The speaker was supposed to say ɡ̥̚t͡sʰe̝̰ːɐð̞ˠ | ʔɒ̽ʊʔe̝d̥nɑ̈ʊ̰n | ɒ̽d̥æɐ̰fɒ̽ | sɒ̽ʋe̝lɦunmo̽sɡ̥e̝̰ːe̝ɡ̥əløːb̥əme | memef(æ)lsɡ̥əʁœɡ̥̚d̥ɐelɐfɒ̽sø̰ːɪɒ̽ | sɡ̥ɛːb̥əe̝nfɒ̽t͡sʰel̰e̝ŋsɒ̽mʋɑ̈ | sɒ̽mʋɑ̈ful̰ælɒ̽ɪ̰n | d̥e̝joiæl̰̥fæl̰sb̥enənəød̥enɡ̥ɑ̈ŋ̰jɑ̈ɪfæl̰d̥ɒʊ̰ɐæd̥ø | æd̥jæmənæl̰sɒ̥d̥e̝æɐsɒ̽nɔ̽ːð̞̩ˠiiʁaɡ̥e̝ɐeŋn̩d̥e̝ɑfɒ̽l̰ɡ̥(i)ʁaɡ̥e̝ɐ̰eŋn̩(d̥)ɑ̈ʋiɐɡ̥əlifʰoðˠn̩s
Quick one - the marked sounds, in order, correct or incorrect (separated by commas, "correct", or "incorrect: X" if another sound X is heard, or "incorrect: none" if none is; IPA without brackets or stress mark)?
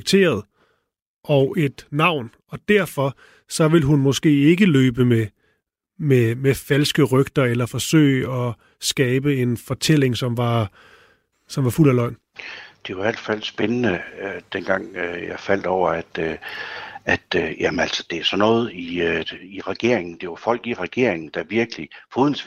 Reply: correct, correct, correct